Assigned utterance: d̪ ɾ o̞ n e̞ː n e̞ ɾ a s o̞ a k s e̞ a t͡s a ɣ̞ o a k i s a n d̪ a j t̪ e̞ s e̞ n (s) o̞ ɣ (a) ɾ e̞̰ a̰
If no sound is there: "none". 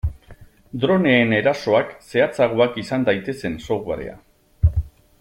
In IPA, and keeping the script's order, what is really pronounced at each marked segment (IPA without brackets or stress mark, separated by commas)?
s, a